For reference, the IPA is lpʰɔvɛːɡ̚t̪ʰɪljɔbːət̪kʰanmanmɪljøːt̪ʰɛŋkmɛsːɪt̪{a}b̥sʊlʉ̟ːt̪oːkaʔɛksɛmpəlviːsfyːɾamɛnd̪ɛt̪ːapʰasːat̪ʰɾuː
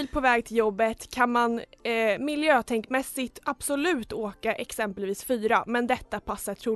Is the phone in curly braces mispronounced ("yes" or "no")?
no